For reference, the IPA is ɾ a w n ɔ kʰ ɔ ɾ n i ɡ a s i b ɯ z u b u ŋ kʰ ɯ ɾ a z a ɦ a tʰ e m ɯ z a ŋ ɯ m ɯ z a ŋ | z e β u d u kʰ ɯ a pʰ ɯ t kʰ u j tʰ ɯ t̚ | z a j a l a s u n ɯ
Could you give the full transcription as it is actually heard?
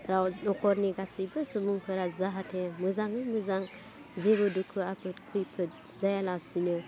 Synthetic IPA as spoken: ɾ a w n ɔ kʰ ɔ ɾ n i ɡ a s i b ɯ s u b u ŋ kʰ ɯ ɾ a z a ɦ a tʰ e m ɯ z a ŋ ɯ m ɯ z a ŋ | z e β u d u kʰ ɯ a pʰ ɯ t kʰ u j pʰ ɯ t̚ | z a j a l a s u n ɯ

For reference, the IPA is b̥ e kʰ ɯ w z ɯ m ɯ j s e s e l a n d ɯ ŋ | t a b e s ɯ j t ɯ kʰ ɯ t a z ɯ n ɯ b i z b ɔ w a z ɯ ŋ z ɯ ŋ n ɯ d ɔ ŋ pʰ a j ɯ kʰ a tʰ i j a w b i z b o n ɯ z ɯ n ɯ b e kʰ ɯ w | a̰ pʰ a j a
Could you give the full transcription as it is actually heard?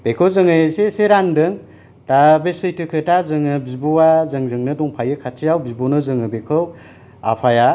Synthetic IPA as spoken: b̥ e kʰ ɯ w z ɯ ŋ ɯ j s e s e ɾ a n d ɯ ŋ | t a b e s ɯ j t ɯ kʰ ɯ t a z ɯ ŋ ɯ b i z b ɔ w a z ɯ ŋ z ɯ ŋ n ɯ d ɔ ŋ pʰ a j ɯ kʰ a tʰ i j a w b i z b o n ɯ z ɯ ŋ ɯ b e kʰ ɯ w | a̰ pʰ a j a

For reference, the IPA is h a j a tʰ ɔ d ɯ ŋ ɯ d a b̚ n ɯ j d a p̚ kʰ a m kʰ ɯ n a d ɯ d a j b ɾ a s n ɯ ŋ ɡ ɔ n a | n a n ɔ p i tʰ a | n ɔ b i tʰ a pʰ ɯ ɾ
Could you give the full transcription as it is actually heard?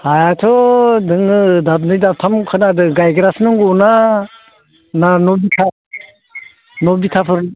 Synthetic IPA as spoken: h a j a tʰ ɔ d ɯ ŋ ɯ d a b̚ n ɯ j d a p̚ tʰ a m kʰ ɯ n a d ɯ ɡ a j ɡ ɾ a s n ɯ ŋ ɡ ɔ n a | n a n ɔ b i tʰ a | n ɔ b i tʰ a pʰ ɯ ɾ

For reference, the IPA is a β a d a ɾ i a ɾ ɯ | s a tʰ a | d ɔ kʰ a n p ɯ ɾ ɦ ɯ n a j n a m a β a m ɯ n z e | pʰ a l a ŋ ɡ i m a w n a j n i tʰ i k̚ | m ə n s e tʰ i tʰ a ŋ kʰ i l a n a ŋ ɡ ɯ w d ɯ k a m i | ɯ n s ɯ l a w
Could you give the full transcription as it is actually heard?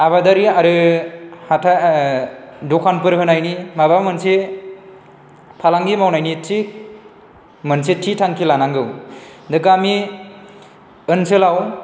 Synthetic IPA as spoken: a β a d a ɾ i a ɾ ɯ | h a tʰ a | d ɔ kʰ a n p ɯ ɾ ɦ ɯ n a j n i m a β a m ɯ n s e | pʰ a l a ŋ ɡ i m a w n a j n i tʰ i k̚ | m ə n s e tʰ i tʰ a ŋ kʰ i l a n a ŋ ɡ ɯ w d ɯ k a m i | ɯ n s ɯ l a w

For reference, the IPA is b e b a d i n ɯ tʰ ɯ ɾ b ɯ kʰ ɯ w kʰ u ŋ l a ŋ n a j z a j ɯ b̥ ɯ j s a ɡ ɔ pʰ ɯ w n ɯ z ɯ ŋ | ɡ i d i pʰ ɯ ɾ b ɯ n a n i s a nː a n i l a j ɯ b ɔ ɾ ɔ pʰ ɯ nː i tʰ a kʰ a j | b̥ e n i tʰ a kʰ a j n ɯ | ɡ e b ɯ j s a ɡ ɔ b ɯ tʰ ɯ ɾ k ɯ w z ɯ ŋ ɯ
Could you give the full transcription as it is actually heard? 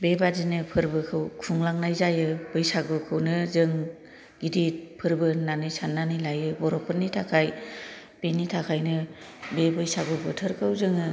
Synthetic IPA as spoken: b e b a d i n ɯ pʰ ɯ ɾ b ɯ kʰ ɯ w kʰ u ŋ l a ŋ n a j z a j ɯ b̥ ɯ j s a ɡ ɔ kʰ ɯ w n ɯ z ɯ ŋ | ɡ i d i pʰ ɯ ɾ b ɯ n a n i s a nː a n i l a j ɯ b ɔ ɾ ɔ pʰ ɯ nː i tʰ a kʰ a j | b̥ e n i tʰ a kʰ a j n ɯ | b e b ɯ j s a ɡ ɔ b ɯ tʰ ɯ ɾ k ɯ w z ɯ ŋ ɯ

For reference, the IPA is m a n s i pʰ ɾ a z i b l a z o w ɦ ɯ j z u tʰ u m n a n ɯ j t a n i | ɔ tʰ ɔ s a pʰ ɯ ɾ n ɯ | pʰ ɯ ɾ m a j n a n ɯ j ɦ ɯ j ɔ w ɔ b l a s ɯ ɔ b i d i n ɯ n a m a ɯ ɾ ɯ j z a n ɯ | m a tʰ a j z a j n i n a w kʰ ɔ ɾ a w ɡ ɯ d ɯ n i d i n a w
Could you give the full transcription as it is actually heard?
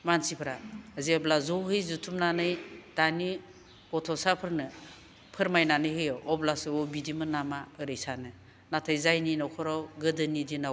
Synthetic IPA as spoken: m a n s i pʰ ɾ a z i b l a z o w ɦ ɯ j z u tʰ u m n a n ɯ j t a n i | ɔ tʰ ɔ s a pʰ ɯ ɾ n ɯ | pʰ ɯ ɾ m a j n a n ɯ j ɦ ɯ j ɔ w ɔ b l a s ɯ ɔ b i d i m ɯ n a m a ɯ ɾ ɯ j s a n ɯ | n a tʰ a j z a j n i n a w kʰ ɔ ɾ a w ɡ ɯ d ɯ n i d i n a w

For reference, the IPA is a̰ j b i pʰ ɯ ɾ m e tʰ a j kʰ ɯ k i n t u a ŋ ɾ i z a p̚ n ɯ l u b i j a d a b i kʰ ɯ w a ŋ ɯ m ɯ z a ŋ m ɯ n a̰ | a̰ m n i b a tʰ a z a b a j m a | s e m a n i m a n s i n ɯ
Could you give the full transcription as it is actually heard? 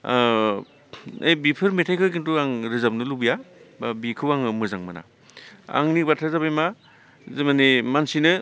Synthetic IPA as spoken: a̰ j b i pʰ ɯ ɾ m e tʰ a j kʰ ɯ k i n t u a ŋ ɾ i z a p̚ n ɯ l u b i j a b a b i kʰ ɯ w a ŋ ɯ m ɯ z a ŋ m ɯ n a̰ | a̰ ŋ n i b a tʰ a z a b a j m a | z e m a n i m a n s i n ɯ

